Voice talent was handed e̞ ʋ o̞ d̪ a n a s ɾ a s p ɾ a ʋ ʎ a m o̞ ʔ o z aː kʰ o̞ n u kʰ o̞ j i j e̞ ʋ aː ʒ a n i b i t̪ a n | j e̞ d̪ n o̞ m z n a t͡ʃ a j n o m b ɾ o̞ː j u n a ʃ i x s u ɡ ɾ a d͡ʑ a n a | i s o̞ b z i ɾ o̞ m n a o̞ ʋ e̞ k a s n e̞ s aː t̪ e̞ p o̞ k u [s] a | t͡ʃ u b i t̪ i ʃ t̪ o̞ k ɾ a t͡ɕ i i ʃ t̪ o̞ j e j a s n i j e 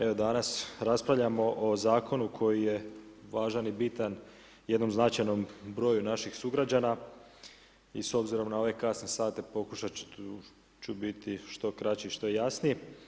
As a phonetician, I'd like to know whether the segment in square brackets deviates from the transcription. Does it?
yes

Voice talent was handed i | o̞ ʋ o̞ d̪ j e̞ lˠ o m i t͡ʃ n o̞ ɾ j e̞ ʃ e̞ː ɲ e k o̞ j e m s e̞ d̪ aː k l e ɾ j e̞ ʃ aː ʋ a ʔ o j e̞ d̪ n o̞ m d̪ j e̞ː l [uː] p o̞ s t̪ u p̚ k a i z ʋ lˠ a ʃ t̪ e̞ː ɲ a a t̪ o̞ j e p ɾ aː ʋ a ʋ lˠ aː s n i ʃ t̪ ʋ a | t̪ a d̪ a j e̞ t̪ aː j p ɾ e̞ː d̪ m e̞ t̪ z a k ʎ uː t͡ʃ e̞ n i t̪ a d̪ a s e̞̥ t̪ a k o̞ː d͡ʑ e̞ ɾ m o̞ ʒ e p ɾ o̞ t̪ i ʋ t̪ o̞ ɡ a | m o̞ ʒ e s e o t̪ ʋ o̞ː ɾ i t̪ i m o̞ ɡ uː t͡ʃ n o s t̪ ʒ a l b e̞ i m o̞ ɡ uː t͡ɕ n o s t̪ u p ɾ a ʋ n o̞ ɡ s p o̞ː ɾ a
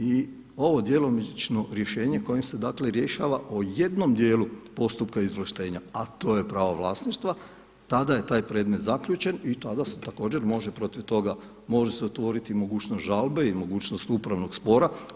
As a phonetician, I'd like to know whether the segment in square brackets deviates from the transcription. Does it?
yes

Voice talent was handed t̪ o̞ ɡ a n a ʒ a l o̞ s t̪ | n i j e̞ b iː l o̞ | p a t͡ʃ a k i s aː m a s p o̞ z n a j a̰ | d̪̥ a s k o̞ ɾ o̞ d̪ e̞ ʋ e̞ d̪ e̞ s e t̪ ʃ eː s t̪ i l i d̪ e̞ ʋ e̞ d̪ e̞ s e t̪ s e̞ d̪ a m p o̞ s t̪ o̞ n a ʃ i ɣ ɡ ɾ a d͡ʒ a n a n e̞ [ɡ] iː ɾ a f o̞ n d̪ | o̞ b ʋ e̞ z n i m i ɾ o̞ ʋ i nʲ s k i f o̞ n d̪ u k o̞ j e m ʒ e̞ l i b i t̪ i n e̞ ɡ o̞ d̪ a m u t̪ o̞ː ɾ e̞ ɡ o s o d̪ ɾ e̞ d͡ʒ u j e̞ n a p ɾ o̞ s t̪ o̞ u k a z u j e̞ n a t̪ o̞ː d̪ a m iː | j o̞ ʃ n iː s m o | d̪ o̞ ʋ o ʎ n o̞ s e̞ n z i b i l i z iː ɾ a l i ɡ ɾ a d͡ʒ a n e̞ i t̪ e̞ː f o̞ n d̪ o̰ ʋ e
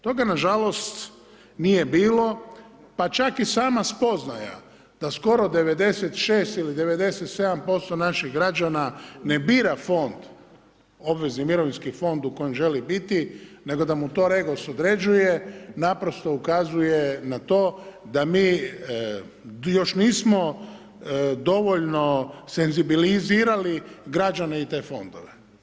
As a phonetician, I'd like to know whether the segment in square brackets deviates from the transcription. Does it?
yes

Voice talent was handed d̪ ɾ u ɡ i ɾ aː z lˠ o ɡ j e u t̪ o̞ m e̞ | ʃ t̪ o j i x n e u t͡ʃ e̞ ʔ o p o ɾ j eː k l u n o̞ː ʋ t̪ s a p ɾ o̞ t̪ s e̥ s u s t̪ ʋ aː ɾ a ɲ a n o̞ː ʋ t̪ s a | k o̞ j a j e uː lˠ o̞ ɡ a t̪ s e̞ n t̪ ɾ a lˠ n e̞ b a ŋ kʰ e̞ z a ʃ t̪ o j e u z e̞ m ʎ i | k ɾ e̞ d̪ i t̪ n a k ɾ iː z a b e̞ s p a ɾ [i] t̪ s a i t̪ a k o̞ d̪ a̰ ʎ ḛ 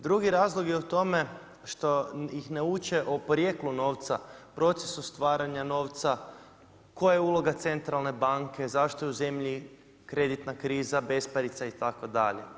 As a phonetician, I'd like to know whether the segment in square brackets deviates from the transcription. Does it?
no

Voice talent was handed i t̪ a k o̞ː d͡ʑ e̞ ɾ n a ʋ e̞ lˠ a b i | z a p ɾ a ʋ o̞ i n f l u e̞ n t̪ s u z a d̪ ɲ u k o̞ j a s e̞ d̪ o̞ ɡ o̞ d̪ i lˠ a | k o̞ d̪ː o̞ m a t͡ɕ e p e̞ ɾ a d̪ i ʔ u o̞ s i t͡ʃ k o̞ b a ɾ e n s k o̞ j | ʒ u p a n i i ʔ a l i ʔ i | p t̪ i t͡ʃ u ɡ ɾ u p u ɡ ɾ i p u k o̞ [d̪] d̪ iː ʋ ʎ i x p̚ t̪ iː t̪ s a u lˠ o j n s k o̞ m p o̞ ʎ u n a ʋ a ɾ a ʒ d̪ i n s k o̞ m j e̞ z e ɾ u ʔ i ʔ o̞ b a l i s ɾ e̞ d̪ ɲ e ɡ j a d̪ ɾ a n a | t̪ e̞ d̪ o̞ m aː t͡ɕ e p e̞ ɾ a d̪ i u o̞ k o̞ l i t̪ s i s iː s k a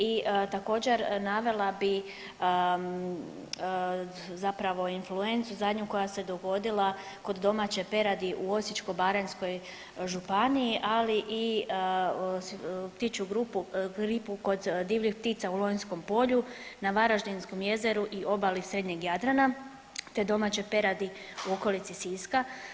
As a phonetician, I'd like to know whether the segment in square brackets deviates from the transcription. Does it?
no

